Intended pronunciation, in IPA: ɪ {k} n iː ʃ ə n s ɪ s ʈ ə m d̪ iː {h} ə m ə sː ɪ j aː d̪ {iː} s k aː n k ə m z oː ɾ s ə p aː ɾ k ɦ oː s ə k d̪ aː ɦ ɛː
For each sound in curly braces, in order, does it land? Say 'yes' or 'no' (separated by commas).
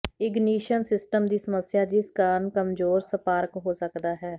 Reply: no, no, yes